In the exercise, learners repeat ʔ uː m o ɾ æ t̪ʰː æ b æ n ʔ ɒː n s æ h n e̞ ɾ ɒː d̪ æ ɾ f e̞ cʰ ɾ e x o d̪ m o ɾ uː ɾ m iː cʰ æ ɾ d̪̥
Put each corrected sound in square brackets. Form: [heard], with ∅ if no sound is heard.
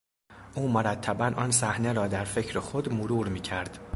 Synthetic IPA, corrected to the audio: ʔ uː m o ɾ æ t̪ʰː æ b æ n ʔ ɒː n s æ h n e̞ ɾ ɒː d̪ æ ɾ f e̞ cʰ ɾ e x o d̪ m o ɾ uː ɾ m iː cʰ æ ɾ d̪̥

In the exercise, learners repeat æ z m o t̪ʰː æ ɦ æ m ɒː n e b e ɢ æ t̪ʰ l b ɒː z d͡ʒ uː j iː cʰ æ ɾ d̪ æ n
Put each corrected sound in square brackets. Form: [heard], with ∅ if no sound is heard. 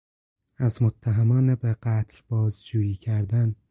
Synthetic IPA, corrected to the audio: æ z m o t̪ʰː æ ɦ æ m ɒː n e b e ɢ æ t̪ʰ l b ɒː z d͡ʒ uː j iː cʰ æ ɾ d̪ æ n

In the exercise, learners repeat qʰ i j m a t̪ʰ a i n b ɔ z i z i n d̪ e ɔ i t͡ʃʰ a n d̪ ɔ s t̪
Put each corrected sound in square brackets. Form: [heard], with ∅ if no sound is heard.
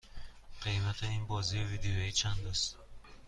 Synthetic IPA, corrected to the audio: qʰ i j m a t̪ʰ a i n b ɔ z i [v] i [∅] d̪ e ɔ i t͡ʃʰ a n d̪ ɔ s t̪

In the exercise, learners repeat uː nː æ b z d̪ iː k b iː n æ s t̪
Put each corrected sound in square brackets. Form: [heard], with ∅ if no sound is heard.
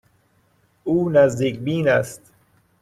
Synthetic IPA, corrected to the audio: uː [n] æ [∅] z d̪ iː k b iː n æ s t̪

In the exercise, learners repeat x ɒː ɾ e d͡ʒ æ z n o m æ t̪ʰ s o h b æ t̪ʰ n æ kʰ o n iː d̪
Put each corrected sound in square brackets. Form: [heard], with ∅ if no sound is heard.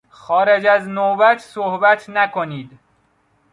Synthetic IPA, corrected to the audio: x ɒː ɾ e d͡ʒ æ z n o [b] æ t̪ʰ s o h b æ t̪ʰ n æ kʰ o n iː d̪

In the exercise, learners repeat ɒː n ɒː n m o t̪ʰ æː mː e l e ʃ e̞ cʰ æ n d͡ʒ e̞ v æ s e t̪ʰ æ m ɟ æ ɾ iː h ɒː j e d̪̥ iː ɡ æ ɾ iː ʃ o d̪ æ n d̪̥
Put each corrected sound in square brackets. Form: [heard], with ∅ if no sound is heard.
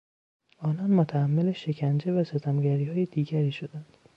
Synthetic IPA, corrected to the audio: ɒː n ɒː n m o t̪ʰ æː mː e l e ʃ e̞ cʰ æ n d͡ʒ e̞ v æ s e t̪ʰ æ m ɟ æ ɾ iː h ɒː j e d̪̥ iː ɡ æ ɾ iː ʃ o d̪ æ n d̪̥

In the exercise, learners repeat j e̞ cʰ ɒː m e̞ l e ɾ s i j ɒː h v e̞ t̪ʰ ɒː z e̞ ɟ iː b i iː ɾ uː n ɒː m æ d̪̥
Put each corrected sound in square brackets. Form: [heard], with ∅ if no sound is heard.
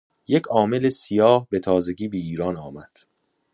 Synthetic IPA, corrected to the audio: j e̞ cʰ ɒː m e̞ l e [∅] s i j ɒː h [b] e̞ t̪ʰ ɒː z e̞ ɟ iː b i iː ɾ [ɒː] n ɒː m æ d̪̥

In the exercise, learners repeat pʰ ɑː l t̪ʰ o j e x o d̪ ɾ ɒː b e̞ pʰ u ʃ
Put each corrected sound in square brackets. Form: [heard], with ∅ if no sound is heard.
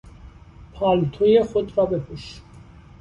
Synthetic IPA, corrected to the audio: pʰ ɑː l t̪ʰ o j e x o d̪ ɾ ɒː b e̞ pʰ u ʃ

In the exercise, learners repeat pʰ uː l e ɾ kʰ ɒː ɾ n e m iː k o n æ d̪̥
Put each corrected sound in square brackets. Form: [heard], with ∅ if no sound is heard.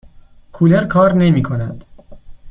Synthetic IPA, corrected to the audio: [kʰ] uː l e ɾ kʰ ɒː ɾ n e m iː [kʰ] o n æ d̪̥

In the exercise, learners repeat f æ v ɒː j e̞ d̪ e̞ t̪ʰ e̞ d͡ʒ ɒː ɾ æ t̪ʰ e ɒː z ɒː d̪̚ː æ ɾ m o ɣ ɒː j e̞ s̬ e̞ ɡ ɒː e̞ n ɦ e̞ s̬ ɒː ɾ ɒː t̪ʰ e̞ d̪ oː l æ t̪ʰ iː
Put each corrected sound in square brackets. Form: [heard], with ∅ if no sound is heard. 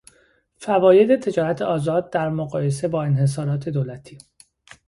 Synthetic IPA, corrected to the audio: f æ v ɒː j e̞ d̪ e̞ t̪ʰ e̞ d͡ʒ ɒː ɾ æ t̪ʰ e ɒː z ɒː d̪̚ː æ ɾ m o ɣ ɒː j e̞ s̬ e̞ [b] ɒː e̞ n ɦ e̞ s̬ ɒː ɾ ɒː t̪ʰ e̞ d̪ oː l æ t̪ʰ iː

